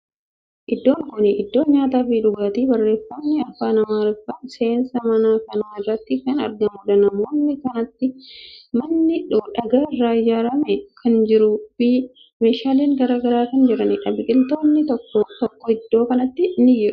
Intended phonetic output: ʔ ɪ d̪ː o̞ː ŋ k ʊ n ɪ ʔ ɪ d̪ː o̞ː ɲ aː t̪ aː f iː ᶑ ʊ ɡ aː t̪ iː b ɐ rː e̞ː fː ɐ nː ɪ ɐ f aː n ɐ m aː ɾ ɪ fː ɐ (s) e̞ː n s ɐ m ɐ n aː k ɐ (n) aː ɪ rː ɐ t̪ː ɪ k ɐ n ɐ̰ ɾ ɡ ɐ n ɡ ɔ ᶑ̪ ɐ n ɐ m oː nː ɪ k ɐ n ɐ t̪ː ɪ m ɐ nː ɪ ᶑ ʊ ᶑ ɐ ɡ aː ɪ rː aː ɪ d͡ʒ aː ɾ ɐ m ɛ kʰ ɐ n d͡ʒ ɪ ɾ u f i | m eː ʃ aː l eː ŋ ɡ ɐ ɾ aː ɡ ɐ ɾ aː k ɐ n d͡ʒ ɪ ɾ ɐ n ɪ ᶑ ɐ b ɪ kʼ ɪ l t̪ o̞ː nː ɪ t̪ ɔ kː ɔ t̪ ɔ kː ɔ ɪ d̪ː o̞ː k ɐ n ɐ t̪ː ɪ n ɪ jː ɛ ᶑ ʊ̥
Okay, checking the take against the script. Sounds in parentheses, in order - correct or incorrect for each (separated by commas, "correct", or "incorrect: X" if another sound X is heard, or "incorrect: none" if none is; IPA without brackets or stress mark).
correct, correct